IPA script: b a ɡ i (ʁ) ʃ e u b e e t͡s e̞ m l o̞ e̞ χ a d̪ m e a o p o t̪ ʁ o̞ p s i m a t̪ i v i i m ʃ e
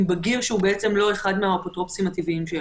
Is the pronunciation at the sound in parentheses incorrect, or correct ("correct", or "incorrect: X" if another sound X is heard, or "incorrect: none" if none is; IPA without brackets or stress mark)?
correct